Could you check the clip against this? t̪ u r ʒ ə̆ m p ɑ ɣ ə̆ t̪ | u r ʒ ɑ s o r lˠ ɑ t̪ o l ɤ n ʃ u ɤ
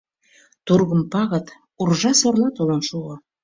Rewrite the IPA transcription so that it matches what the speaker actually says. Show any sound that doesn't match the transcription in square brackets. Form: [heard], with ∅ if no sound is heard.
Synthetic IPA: t̪ u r [ɣ] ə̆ m p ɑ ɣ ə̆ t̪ | u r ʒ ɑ s o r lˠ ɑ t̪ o l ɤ n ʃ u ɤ